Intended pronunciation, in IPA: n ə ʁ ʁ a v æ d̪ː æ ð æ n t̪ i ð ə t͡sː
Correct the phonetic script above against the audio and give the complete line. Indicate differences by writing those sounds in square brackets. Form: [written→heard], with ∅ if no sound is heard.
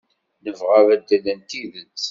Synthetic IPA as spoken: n ə [ʁ→v] ʁ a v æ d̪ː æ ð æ n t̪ i ð ə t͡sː